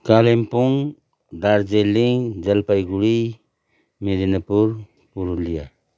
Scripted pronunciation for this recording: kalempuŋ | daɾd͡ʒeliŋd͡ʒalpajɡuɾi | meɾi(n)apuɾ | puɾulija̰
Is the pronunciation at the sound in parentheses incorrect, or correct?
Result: correct